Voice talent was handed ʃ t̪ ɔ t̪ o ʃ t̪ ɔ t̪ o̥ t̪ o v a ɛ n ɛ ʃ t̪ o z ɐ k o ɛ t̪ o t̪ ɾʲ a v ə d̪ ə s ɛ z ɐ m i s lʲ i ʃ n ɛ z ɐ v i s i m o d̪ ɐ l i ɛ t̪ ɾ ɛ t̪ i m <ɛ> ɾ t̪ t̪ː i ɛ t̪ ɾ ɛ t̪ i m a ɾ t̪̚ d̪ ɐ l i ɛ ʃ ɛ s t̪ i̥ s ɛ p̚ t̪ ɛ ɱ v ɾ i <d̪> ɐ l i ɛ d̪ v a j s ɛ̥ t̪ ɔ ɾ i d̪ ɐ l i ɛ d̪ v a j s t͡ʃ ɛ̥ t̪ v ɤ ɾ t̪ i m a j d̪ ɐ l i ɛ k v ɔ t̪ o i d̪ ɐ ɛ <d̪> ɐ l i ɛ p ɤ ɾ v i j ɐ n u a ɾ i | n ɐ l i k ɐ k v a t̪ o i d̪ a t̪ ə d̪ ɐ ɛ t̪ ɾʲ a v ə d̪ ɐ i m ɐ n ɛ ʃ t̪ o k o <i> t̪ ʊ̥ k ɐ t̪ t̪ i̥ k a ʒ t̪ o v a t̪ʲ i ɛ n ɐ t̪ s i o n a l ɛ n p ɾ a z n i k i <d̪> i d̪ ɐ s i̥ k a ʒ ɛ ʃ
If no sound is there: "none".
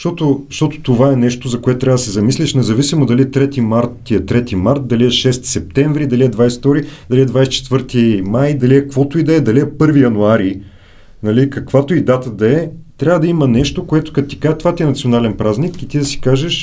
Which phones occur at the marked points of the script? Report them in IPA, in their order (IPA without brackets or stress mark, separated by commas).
a, d̪, d̪, ɛ, t̪